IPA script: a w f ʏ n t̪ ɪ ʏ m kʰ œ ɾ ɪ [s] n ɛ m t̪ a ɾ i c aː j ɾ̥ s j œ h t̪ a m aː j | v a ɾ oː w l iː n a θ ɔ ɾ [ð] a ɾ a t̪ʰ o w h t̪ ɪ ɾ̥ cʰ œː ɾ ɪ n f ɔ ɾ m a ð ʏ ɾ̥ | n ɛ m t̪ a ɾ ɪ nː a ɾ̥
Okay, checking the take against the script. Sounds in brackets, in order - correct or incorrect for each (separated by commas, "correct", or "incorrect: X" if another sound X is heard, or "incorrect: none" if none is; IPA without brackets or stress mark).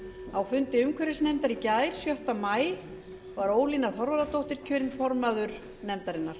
correct, incorrect: v